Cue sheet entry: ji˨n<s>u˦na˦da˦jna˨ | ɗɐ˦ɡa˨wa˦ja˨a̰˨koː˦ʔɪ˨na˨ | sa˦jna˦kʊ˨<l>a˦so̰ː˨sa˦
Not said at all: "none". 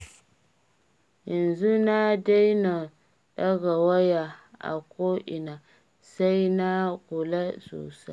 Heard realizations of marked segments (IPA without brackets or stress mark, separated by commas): z, l